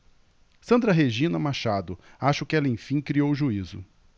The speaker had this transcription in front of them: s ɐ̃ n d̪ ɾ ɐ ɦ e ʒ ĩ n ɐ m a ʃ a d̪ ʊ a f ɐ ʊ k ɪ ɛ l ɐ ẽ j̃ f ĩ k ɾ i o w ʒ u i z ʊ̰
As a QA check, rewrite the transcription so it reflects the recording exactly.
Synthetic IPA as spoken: s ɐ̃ n d̪ ɾ ɐ ɦ e ʒ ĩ n ɐ m a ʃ a d̪ ʊ a ʃ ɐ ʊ k ɪ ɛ l ɐ ẽ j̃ f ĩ k ɾ i o w ʒ u i z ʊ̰